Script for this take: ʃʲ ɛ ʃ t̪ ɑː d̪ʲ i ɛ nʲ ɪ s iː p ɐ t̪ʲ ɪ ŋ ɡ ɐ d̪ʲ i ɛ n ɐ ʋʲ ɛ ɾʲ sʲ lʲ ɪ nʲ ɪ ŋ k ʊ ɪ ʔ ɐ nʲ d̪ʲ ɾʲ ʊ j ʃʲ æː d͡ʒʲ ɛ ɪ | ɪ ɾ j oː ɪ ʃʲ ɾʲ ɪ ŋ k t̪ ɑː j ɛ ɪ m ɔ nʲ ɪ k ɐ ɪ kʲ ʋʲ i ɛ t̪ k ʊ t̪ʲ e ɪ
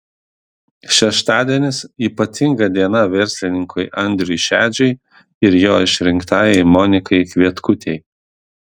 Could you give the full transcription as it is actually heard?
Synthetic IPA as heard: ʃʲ ɛ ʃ t̪ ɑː d̪ʲ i ɛ nʲ ɪ s iː p ɐ t̪ʲ ɪ ŋ ɡ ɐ d̪ʲ i ɛ n ɐ ʋʲ ɛ ɾʲ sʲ lʲ ɪ nʲ ɪ ŋ k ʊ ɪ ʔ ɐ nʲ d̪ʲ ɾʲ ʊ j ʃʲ æː d͡ʒʲ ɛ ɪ | ɪ ɾ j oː ɪ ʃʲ ɾʲ ɪ ŋ k t̪ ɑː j ɛ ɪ m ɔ nʲ ɪ k ɐ ɪ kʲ ʋʲ i ɛ t̪ k ʊ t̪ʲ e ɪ